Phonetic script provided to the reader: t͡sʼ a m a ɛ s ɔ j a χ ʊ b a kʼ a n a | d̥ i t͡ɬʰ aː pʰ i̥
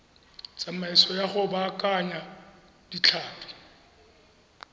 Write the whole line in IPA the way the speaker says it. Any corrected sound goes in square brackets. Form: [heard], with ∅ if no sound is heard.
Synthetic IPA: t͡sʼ a m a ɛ s ɔ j a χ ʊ b a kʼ a [ɲ] a | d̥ i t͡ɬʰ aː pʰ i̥